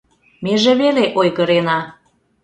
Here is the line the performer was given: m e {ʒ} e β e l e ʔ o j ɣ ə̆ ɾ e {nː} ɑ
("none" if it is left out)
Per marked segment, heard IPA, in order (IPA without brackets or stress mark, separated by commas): ʒ, n